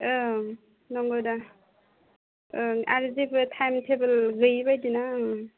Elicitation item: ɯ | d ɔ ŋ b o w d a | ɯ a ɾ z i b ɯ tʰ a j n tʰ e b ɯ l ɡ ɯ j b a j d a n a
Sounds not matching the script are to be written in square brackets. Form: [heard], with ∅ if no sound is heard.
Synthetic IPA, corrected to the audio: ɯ | [n] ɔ ŋ [ɡ] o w d a | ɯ a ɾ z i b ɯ tʰ a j [m] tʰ e b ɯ l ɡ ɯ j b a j d [i] n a